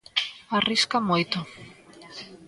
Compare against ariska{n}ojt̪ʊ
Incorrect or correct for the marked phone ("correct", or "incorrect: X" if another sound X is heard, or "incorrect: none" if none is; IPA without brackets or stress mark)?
incorrect: m